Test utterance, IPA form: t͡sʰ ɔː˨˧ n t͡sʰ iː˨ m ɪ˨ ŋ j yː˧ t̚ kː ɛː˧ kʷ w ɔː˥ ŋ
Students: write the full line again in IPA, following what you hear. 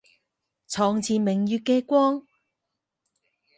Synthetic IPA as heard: t͡sʰ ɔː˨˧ ŋ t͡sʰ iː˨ m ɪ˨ ŋ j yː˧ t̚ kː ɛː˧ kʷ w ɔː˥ ŋ